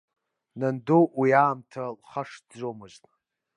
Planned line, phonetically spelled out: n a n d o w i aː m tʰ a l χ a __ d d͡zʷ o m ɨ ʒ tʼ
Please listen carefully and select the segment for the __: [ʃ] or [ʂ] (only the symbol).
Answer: ʂ